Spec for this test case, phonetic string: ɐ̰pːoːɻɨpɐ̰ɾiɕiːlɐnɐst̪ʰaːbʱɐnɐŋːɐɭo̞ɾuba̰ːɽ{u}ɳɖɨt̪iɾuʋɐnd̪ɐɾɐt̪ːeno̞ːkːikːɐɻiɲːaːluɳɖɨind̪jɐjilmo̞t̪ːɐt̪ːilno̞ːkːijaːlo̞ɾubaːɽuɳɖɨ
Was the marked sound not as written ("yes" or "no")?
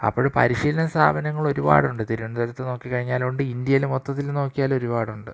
no